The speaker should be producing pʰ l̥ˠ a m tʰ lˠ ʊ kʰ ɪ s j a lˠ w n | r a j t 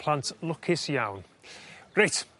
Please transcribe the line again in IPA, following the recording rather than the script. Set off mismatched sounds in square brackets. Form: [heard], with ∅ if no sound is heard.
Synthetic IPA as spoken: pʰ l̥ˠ a [n] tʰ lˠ ʊ kʰ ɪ s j a [∅] w n | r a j t